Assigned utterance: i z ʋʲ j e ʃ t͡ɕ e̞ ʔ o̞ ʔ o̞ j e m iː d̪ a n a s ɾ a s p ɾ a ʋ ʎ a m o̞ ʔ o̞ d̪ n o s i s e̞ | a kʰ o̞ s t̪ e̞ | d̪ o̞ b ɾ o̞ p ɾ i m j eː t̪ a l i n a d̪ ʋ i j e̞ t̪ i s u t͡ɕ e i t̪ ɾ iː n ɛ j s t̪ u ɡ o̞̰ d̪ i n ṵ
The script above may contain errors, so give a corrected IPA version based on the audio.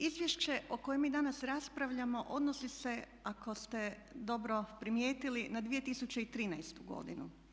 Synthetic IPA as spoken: i z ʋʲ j e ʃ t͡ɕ e̞ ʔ o̞ k o̞ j e m iː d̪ a n a s ɾ a s p ɾ a ʋ ʎ a m o̞ ʔ o̞ d̪ n o s i s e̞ | a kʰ o̞ s t̪ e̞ | d̪ o̞ b ɾ o̞ p ɾ i m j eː t̪ i l i n a d̪ ʋ i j e̞ t̪ i s u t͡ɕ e i t̪ ɾ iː n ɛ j s t̪ u ɡ o̞̰ d̪ i n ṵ